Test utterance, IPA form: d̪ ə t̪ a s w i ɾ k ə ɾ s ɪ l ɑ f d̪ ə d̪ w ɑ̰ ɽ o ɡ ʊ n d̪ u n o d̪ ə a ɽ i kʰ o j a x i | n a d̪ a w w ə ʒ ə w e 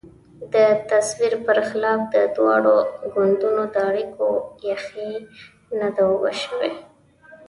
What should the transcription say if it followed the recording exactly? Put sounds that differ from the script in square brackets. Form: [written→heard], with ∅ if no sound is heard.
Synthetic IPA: d̪ ə t̪ a s w i ɾ [k→p] ə ɾ [s→x] ɪ l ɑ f d̪ ə d̪ w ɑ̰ ɽ o ɡ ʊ n d̪ u n o d̪ ə a ɽ i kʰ o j a x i | n a d̪ a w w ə [ʒ→ʃ] ə w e

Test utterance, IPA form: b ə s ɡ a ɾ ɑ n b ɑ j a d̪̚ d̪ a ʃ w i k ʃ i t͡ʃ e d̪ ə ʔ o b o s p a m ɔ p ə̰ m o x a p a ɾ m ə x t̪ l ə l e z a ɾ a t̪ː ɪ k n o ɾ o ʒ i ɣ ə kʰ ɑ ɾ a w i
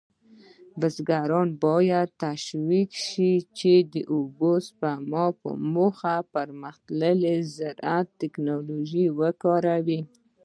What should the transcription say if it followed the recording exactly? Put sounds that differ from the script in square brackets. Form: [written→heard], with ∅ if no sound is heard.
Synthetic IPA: b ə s ɡ a ɾ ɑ n b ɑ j a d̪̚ [d̪→t̪] a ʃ w i k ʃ i t͡ʃ e d̪ ə ʔ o b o s p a m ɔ p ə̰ m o x a p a ɾ m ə x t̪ l ə l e z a ɾ a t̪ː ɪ k n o [ɾ→l] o ʒ i [ɣ→w] ə [kʰ→k] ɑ ɾ a w i

